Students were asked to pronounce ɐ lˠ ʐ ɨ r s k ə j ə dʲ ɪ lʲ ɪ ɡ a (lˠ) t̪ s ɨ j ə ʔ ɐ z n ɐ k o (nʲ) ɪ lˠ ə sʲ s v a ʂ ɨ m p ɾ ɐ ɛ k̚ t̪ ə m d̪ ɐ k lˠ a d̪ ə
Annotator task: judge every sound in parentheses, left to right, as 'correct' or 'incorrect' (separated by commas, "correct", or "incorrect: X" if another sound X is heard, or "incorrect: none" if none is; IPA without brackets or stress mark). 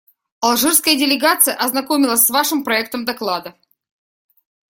incorrect: none, incorrect: mʲ